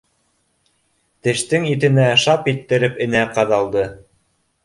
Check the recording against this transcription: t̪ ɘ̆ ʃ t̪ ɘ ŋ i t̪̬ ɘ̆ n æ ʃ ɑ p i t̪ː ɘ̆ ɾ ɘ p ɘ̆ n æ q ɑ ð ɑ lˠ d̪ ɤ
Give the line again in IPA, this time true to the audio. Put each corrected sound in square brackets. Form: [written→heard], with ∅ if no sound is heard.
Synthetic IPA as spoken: t̪ ɘ̆ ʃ t̪ ɘ ŋ i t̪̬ ɘ̆ n æ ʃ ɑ p i t̪ː ɘ̆ ɾ ɘ p ɘ̆ n æ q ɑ ð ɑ lˠ d̪ ɤ